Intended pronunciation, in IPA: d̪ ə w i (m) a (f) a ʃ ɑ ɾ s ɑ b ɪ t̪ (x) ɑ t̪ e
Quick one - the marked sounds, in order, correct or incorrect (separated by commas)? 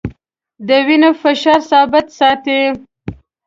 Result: incorrect, correct, incorrect